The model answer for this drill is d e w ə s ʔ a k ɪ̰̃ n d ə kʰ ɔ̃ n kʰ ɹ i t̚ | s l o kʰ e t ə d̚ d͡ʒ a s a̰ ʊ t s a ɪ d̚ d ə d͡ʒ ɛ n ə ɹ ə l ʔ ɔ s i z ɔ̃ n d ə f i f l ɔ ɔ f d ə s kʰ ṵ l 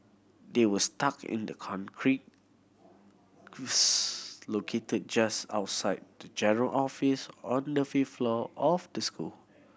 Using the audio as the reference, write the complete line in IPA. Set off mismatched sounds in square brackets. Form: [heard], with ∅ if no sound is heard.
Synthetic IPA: d e w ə s [t] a k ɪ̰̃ n d ə kʰ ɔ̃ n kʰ ɹ i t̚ | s l o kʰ e t ə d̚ d͡ʒ a s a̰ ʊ t s a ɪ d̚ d ə d͡ʒ ɛ n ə ɹ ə l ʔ ɔ [f] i [s] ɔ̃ n d ə f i f l ɔ ɔ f d ə s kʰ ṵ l